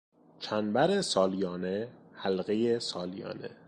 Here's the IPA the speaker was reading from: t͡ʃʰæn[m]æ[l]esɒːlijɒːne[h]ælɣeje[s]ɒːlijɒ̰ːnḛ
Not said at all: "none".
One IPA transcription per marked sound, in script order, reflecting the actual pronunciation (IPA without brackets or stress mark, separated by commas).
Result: b, ɾ, h, s